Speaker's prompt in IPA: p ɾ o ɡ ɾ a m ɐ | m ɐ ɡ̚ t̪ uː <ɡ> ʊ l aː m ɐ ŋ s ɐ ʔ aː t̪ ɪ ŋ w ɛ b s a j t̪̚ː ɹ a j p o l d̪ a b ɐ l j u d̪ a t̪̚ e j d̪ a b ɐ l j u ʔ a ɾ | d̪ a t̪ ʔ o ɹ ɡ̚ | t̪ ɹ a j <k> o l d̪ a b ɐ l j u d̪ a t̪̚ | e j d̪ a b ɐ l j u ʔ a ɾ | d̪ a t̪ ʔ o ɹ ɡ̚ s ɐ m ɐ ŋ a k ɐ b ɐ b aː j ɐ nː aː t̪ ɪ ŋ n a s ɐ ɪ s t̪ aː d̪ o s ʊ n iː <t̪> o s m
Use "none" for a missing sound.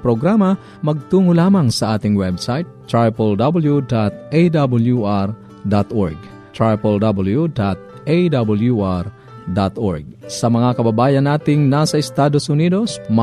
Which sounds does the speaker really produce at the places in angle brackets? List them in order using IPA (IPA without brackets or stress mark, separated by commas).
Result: ŋ, p, d̪